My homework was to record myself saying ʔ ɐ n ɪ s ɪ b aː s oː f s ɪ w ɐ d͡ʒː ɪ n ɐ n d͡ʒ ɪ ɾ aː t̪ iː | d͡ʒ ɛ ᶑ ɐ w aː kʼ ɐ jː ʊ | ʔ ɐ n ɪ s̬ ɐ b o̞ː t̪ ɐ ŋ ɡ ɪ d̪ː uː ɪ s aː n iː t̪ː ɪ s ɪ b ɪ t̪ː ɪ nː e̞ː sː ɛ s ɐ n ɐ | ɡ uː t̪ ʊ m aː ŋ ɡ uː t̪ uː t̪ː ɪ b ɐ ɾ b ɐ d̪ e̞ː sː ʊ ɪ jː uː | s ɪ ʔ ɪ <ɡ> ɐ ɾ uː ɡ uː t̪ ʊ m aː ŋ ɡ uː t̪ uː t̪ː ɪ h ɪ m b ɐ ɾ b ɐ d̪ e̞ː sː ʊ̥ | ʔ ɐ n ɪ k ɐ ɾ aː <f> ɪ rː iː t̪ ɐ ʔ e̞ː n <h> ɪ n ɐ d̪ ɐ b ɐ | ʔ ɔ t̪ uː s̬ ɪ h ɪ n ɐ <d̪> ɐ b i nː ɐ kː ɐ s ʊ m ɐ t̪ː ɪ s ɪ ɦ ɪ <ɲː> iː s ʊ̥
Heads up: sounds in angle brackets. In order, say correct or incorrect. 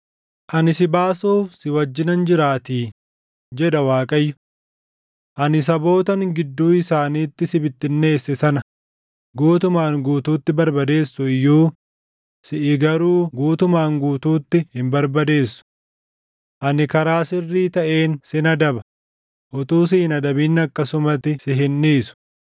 correct, incorrect: s, incorrect: s, correct, incorrect: nː

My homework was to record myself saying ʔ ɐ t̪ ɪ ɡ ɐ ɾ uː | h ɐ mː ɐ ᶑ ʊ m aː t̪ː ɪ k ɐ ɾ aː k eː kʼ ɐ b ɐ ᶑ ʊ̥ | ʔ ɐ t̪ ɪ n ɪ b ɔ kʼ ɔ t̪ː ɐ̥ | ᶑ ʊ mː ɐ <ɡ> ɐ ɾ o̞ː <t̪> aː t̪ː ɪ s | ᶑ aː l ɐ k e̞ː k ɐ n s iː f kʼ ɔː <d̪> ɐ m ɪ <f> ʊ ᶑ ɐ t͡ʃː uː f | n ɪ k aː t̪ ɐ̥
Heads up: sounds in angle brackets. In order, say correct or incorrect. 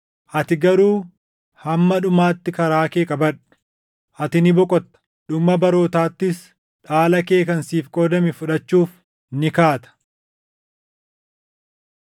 incorrect: b, correct, correct, correct

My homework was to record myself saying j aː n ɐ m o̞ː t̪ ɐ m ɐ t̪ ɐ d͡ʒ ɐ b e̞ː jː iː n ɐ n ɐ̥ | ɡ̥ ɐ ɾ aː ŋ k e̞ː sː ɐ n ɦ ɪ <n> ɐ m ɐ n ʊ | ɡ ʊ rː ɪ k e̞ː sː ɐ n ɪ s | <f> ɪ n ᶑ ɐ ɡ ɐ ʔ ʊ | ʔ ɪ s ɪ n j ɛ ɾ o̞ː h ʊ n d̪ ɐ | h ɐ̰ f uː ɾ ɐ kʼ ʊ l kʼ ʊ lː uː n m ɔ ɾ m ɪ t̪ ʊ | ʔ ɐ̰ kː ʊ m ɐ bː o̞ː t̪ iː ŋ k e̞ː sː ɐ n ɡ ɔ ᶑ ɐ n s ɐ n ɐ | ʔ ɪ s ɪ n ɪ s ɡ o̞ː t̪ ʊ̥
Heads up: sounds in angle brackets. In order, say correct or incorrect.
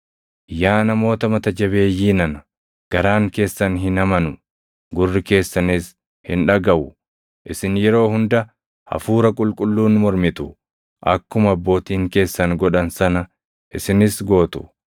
correct, incorrect: h

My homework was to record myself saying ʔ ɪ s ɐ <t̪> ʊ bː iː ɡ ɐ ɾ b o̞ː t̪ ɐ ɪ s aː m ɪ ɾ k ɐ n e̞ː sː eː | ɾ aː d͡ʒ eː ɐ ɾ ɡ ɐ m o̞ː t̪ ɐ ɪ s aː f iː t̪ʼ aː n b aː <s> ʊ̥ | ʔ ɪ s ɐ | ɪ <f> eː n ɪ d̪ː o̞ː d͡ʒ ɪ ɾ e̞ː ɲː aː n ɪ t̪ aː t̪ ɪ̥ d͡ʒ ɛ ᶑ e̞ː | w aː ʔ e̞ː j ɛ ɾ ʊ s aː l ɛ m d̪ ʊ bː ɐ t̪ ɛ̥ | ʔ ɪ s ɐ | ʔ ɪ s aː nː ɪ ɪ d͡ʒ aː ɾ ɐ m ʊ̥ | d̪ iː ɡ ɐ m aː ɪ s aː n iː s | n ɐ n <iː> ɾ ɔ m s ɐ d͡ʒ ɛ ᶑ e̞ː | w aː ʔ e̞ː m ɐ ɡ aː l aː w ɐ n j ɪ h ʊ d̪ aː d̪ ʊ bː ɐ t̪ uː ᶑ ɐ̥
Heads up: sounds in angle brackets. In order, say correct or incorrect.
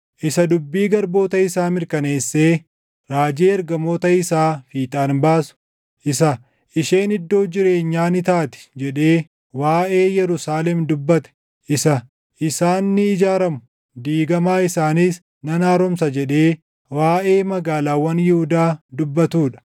incorrect: d̪, correct, incorrect: ʃ, incorrect: aː

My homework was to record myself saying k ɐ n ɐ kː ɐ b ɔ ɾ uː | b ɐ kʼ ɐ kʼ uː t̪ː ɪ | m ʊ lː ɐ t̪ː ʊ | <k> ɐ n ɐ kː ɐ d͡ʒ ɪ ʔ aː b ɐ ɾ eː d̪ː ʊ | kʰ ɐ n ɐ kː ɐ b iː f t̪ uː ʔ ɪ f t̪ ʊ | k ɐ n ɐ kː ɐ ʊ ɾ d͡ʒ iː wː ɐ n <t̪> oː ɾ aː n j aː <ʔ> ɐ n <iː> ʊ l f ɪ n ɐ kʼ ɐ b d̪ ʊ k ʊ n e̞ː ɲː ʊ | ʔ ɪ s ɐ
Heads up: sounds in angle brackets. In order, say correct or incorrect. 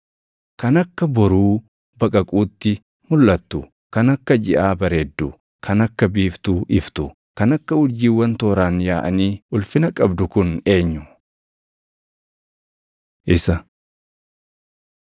correct, correct, correct, correct

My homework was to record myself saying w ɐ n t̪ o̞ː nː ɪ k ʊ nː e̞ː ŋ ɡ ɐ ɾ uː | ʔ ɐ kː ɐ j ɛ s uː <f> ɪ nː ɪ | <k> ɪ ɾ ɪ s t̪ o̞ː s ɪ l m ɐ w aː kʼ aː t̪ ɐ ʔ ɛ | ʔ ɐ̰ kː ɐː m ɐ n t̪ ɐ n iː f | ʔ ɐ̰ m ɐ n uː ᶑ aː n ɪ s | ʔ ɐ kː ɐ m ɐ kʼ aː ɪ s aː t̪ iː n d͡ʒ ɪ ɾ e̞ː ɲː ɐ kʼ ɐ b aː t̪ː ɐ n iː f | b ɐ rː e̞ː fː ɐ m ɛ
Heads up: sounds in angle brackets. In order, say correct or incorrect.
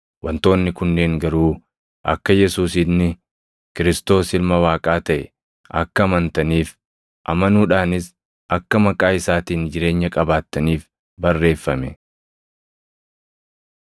incorrect: s, correct

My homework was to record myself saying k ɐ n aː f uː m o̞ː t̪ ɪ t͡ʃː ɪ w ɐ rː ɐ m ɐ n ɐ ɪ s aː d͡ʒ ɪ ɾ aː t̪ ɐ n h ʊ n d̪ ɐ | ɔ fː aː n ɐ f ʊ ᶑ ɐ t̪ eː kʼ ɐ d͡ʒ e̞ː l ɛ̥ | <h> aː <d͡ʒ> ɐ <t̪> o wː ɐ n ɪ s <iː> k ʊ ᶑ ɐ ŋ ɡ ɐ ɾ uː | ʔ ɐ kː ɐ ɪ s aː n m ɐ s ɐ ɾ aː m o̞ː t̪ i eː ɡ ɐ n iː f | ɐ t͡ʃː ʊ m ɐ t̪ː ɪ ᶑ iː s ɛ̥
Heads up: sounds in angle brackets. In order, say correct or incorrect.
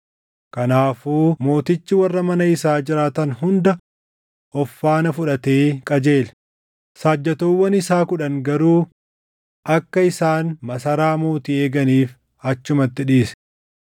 incorrect: s, incorrect: d͡ʒː, correct, incorrect: aː

